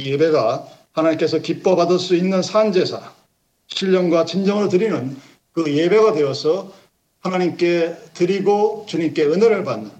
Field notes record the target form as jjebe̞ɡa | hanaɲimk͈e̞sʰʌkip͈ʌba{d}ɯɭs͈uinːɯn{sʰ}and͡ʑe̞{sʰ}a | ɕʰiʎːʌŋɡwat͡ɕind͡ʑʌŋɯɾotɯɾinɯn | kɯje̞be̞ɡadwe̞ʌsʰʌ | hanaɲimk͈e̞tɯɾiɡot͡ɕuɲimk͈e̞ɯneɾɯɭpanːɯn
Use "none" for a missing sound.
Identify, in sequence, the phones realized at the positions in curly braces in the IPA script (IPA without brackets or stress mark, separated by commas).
d, sʰ, sʰ